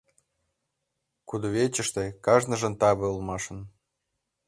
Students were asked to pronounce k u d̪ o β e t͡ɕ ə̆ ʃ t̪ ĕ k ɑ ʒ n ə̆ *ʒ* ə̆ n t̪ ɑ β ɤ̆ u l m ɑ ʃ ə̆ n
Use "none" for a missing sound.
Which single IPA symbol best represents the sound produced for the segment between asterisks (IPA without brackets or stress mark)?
ʒ